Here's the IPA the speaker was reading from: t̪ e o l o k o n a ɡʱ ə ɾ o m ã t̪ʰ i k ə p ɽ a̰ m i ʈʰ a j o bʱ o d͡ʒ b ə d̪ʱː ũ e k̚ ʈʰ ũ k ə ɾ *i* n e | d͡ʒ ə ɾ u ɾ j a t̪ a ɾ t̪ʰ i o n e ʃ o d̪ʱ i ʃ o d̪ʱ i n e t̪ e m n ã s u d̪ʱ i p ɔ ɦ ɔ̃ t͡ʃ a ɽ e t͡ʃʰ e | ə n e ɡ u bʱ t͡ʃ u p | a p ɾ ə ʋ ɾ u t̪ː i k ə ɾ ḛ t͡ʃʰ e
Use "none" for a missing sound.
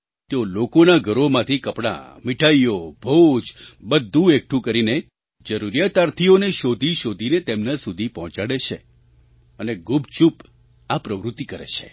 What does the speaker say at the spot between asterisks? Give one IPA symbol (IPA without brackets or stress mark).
i